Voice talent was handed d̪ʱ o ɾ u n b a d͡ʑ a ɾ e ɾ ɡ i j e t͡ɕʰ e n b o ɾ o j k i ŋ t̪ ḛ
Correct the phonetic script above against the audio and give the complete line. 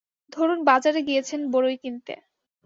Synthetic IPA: d̪ʱ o ɾ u n b a d͡ʑ a ɾ e ɡ i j e t͡ɕʰ e n b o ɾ o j k i n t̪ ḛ